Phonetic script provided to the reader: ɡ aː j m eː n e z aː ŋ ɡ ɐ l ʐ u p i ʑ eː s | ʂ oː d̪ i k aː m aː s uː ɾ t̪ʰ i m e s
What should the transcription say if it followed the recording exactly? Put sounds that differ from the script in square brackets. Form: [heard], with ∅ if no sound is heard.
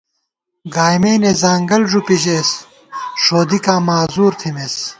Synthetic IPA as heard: ɡ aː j m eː n e z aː ŋ ɡ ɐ l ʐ u p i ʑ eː s | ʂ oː d̪ i k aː m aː [z] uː ɾ t̪ʰ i m e s

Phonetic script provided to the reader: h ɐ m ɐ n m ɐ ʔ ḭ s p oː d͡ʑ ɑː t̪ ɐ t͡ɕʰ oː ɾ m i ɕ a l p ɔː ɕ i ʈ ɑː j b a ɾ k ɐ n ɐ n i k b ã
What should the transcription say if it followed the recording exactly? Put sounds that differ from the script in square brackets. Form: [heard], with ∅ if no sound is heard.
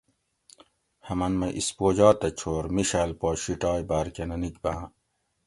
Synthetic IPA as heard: h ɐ m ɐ n m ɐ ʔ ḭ s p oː d͡ʑ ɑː t̪ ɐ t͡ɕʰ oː ɾ m i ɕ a l p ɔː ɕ i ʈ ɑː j b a ɾ k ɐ n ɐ n i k b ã

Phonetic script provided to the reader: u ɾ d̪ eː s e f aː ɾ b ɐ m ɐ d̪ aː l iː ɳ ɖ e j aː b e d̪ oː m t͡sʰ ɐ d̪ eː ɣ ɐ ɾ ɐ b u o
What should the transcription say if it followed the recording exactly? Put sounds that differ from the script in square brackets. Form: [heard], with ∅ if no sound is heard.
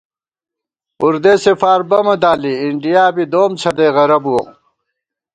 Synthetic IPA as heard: u ɾ d̪ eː s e f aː ɾ b ɐ m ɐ d̪ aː l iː ɳ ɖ [i] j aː b [i] d̪ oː m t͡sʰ ɐ d̪ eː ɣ ɐ ɾ ɐ b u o

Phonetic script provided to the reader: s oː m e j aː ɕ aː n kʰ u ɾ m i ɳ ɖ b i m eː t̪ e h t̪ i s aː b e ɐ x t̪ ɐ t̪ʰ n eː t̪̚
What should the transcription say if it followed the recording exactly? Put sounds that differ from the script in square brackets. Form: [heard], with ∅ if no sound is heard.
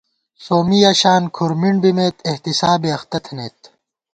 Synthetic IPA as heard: s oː m [i] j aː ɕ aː n kʰ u ɾ m i ɳ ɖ b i m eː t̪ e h t̪ i s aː b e ɐ x t̪ ɐ t̪ʰ n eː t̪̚

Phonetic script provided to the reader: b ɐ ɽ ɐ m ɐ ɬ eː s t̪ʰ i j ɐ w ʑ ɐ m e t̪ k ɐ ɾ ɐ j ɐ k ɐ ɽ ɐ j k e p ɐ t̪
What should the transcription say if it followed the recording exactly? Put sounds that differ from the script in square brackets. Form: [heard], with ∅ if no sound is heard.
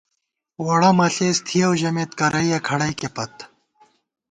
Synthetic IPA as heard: [w] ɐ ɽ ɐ m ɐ ɬ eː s t̪ʰ i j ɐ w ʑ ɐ m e t̪ k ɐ ɾ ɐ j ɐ [kʰ] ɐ ɽ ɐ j k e p ɐ t̪

